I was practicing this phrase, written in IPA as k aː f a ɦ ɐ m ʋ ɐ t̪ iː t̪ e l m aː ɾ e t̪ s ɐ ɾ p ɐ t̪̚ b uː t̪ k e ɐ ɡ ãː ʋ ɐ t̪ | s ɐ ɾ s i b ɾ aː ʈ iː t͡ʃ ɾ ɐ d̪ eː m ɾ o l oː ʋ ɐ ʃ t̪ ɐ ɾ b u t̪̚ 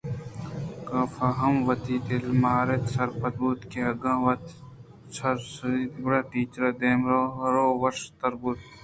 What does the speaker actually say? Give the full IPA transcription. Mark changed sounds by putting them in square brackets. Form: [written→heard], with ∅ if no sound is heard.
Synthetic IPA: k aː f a ɦ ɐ m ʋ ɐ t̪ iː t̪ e l m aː ɾ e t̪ s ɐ ɾ p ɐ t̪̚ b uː t̪ k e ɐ ɡ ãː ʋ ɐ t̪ | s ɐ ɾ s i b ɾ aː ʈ iː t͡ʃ ɾ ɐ d̪ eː m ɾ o [l→ɾ] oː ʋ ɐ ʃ t̪ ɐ ɾ b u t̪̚